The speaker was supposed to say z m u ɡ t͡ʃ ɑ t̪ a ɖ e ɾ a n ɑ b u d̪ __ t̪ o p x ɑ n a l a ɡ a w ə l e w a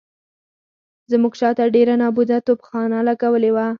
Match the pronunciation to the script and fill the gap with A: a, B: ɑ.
A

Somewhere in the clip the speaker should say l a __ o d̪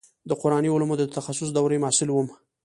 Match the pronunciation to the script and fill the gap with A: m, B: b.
A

